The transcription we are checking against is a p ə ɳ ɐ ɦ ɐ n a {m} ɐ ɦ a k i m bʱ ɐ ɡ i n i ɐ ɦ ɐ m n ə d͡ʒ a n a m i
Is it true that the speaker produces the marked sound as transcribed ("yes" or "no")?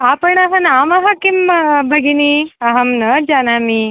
yes